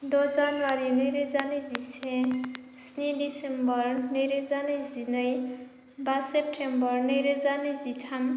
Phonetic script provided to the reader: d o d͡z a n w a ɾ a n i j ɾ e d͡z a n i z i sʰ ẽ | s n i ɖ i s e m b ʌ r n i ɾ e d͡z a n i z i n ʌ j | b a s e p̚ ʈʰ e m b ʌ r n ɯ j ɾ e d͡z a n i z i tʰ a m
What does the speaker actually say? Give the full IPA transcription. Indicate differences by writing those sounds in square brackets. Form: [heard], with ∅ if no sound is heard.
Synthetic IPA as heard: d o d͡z a n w a ɾ [i] n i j ɾ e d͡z a n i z i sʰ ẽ | s n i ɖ i s e m b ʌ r n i ɾ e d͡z a n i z i n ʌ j | b a s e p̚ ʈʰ e m b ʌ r n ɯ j ɾ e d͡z a n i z i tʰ a m